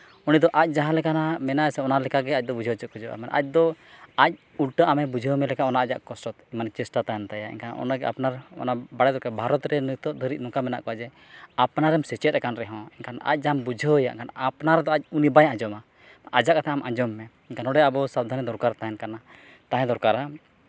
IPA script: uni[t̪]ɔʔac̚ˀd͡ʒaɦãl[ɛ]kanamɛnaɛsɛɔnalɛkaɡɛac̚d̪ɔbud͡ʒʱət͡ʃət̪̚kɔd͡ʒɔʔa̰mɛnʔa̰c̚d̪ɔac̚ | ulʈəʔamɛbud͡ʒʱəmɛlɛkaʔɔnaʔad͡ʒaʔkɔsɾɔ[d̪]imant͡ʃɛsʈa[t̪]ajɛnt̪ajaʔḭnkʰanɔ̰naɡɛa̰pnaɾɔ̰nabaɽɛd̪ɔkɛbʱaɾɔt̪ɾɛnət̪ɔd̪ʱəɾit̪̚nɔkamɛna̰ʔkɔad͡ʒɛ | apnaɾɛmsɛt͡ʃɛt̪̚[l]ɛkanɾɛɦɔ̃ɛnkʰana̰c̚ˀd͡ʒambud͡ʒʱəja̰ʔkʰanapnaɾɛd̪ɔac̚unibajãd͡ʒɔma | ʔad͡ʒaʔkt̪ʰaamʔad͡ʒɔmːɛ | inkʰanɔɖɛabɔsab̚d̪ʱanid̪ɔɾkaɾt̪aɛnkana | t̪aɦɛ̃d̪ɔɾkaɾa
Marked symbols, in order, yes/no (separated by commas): no, yes, no, yes, no